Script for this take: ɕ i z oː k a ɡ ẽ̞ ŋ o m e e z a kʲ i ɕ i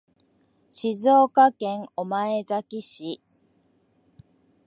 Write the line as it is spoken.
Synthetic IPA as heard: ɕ i z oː k a k ẽ̞ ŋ o m a e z a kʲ i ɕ i